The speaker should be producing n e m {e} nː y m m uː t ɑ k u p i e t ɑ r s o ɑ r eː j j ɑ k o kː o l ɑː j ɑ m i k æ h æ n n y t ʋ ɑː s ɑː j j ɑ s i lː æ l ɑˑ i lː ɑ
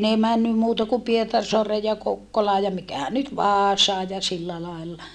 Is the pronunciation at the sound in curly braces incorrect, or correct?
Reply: incorrect: æ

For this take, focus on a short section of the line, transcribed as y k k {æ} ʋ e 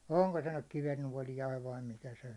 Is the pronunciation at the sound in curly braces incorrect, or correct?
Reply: incorrect: i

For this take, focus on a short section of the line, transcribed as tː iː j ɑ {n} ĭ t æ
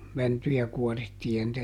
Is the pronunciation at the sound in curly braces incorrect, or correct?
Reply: correct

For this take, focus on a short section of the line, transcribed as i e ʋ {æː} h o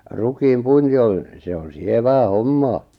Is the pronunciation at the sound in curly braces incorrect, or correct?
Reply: correct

